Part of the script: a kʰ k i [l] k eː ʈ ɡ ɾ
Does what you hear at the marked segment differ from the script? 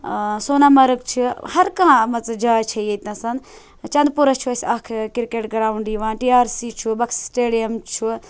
yes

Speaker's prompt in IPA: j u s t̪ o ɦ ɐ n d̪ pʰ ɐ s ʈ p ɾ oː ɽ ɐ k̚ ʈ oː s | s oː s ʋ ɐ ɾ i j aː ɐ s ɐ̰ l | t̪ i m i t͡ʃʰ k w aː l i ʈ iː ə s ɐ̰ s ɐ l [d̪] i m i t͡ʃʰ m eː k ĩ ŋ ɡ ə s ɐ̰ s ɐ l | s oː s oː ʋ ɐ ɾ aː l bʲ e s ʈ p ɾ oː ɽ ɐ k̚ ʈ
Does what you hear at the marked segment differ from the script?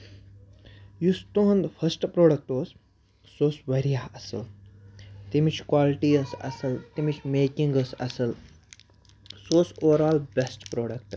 yes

